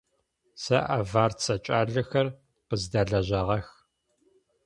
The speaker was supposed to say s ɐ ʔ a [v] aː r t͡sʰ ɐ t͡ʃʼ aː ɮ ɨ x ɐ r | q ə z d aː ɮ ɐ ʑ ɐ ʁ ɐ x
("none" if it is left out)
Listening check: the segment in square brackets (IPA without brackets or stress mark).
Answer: v